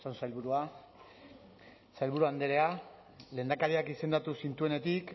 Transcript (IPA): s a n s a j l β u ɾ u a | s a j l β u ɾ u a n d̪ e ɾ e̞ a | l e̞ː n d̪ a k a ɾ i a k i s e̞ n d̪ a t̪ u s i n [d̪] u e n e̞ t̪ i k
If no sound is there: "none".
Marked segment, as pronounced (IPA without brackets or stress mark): t̪